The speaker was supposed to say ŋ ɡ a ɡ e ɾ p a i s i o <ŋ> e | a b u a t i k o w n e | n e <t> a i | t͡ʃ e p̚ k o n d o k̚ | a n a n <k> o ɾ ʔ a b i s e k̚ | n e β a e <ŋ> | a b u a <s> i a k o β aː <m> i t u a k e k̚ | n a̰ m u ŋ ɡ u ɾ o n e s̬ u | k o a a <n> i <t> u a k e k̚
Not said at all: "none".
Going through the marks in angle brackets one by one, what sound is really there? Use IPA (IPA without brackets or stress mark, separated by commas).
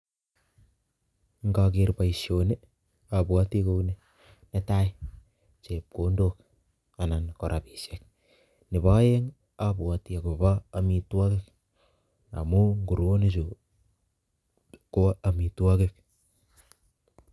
n, t, k, ŋ, t, m, m, t